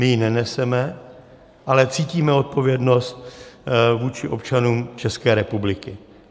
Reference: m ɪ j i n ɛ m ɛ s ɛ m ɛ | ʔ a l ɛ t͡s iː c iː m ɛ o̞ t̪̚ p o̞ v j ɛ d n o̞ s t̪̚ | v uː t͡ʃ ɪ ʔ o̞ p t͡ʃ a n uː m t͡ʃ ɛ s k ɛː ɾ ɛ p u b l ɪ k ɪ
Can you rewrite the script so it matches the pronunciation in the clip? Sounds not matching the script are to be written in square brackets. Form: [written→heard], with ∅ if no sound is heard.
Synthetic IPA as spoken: m ɪ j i n ɛ [m→n] ɛ s ɛ m ɛ | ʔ a l ɛ t͡s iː c iː m ɛ o̞ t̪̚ p o̞ v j ɛ d n o̞ s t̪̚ | v uː t͡ʃ ɪ ʔ o̞ p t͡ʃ a n uː m t͡ʃ ɛ s k ɛː ɾ ɛ p u b l ɪ k ɪ